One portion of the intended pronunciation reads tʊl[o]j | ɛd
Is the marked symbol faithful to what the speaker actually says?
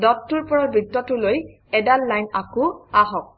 yes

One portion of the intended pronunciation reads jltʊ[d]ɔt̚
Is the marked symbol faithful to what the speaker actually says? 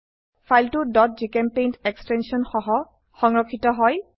yes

